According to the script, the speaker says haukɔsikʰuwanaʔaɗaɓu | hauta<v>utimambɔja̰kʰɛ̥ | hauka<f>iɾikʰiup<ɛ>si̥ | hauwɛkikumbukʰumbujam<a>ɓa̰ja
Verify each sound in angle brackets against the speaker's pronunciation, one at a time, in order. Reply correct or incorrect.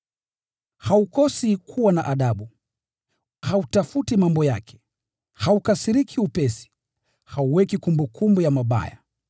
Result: incorrect: f, incorrect: s, correct, correct

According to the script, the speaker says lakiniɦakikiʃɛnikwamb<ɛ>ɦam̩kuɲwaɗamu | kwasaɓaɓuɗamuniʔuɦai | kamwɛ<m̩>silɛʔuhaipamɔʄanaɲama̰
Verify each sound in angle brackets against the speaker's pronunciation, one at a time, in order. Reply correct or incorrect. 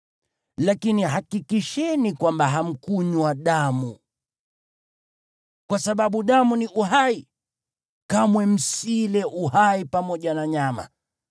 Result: incorrect: a, correct

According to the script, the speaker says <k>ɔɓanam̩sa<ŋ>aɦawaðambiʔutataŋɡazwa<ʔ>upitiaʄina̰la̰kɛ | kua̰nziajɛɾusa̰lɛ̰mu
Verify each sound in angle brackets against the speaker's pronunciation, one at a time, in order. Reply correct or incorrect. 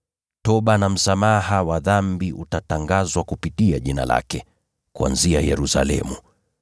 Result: incorrect: t, incorrect: m, incorrect: k

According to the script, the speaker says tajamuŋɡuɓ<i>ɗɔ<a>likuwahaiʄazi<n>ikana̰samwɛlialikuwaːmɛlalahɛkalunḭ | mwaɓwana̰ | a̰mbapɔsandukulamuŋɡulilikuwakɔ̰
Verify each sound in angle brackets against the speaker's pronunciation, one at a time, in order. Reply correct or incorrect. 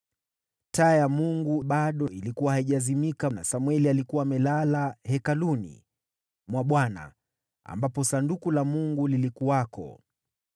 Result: incorrect: a, incorrect: i, incorrect: m

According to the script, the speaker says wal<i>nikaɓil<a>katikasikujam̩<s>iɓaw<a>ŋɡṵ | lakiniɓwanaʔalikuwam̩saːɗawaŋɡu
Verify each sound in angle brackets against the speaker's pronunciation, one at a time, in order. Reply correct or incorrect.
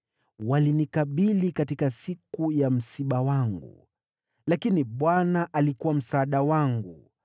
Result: correct, incorrect: i, correct, correct

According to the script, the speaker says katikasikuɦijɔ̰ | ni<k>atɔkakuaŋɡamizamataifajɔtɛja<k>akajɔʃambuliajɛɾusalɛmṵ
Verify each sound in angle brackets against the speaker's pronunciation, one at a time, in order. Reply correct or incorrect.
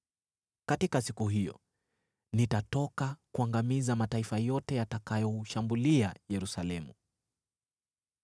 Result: incorrect: t, incorrect: t

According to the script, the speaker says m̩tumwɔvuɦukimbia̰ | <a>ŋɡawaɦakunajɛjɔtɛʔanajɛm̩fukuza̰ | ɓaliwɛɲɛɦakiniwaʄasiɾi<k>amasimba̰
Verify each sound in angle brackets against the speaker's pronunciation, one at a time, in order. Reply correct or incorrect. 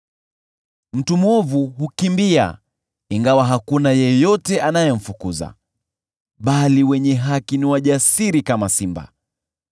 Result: incorrect: i, correct

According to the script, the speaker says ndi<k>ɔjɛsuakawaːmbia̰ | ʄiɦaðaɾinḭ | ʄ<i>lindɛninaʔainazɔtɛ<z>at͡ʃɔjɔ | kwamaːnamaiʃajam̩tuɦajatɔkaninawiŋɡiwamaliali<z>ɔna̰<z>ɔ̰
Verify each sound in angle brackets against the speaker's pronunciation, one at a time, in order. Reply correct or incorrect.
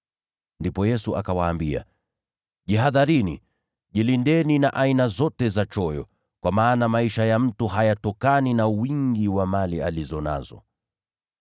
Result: incorrect: p, correct, correct, correct, correct

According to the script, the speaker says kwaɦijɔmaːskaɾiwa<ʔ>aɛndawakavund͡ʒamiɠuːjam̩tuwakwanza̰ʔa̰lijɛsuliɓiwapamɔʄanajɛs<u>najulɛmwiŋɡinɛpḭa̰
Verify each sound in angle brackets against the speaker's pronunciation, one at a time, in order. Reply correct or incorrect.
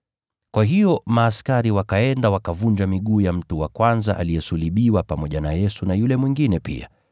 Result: incorrect: k, correct

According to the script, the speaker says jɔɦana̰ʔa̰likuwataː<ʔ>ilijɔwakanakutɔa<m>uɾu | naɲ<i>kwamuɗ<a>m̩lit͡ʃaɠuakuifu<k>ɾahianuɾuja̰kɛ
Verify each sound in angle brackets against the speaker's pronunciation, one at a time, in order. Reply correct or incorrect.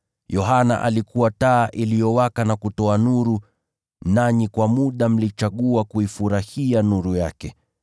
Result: correct, incorrect: n, correct, correct, incorrect: none

